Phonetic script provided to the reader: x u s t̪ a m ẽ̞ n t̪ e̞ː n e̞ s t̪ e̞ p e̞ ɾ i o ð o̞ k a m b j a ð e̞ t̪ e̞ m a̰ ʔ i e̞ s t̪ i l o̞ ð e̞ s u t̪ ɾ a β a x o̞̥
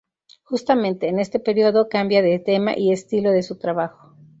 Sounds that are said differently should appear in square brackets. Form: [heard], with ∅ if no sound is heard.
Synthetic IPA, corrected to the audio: x u s t̪ a m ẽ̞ n t̪ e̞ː n e̞ s t̪ e̞ p e̞ ɾ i o ð o̞ k a m b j a ð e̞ t̪ e̞ m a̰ ʔ i e̞ s t̪ i l o̞ ð e̞ s u t̪ ɾ a β a x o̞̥